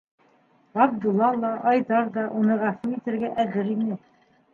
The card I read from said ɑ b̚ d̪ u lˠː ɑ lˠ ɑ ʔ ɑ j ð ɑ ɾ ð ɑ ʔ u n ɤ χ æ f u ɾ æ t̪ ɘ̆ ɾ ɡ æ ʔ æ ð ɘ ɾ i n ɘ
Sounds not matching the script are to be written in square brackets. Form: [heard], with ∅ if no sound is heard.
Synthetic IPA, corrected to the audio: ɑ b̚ d̪ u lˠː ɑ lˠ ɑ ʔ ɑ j ð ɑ ɾ ð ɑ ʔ u n ɤ [ʁ] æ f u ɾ [i] t̪ ɘ̆ ɾ ɡ æ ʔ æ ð ɘ ɾ i n ɘ